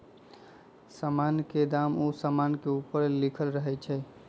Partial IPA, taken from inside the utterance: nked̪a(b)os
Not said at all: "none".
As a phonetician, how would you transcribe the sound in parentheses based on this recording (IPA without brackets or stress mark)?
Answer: m